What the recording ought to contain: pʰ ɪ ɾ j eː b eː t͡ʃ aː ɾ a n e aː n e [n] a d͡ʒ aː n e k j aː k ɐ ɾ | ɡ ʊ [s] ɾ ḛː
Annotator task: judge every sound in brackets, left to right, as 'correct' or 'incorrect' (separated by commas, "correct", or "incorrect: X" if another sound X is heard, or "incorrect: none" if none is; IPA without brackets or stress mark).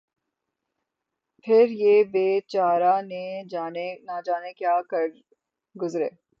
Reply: correct, incorrect: z